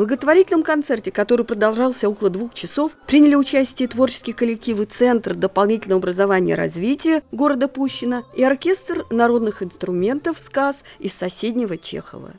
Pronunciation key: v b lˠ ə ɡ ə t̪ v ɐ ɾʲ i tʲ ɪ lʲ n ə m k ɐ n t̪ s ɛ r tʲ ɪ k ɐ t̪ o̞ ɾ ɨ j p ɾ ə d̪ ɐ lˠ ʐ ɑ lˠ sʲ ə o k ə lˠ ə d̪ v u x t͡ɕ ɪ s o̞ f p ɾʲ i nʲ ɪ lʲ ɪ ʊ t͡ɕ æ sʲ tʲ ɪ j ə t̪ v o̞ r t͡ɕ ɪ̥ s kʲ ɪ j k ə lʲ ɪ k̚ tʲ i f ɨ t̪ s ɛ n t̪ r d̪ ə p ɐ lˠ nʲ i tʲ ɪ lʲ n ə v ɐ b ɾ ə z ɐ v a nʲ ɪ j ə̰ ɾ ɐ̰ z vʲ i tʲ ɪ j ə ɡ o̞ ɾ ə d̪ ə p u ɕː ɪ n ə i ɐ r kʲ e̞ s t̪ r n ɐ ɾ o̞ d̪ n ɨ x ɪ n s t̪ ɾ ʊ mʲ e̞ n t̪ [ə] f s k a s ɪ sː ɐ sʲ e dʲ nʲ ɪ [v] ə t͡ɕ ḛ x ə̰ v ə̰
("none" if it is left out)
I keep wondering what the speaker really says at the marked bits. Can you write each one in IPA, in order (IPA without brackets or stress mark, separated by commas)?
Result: ə, v